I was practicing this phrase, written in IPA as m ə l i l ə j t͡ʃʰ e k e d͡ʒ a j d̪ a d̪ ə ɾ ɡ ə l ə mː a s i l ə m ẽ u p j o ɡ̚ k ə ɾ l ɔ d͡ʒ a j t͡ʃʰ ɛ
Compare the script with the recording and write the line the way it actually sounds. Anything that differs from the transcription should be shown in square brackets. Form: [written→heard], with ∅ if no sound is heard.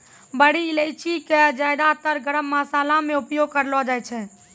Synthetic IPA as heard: [m→b] ə [l→ɽ] i l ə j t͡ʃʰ [e→i] k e d͡ʒ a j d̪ a [d̪→t̪] ə ɾ ɡ ə [l→ɾ] ə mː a s [i→a] l [ə→a] m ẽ u p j o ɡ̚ k ə ɾ l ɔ d͡ʒ a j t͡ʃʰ ɛ